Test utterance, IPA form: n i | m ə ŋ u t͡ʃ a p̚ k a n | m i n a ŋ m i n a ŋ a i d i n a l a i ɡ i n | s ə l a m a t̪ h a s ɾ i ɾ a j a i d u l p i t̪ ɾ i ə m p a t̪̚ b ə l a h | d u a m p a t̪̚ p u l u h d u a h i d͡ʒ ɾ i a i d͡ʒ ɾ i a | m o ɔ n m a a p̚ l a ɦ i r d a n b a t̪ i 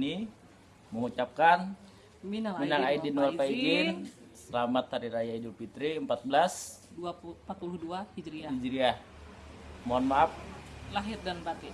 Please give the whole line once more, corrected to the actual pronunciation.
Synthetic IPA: n i | m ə ŋ u t͡ʃ a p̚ k a n | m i n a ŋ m i n a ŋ a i d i n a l a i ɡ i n | s ə l a m a t̪ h a ɾ i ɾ a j a i d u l p i t̪ ɾ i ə m p a t̪̚ b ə l a s | d u a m p a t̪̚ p u l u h d u a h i d͡ʒ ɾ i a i d͡ʒ ɾ i a | m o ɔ n m a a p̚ l a ɦ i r d a n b a t̪ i